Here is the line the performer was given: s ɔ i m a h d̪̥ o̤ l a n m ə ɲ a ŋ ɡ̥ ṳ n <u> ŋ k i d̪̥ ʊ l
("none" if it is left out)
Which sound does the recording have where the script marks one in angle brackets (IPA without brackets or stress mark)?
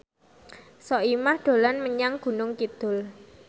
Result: ʊ